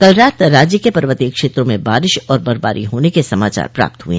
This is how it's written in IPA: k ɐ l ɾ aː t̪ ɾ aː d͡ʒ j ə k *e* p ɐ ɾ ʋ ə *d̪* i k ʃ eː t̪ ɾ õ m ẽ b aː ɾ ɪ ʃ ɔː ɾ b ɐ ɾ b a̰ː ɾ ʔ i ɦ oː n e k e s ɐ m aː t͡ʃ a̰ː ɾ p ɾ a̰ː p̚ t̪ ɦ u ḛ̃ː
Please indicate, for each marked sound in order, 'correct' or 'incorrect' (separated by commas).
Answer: correct, incorrect